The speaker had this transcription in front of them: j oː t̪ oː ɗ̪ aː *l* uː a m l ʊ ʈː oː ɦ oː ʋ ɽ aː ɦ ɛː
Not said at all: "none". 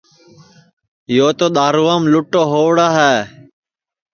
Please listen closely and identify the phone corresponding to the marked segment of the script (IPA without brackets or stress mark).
ɾ